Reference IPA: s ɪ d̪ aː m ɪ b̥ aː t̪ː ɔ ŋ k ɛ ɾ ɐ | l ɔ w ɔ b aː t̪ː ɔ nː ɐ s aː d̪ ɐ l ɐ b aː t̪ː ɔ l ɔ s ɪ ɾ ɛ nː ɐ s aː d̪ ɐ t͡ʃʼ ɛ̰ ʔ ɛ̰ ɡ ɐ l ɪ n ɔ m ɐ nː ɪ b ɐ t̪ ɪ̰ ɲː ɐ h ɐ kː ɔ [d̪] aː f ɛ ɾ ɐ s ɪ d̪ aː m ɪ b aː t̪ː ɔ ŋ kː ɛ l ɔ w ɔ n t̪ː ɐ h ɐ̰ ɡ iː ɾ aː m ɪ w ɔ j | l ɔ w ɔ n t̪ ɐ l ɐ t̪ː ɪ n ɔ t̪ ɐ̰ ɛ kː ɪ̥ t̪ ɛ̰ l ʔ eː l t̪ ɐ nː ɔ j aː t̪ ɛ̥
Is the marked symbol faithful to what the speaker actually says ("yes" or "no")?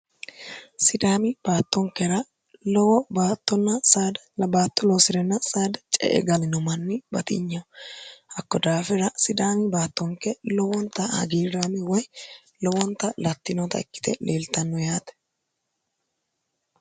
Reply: yes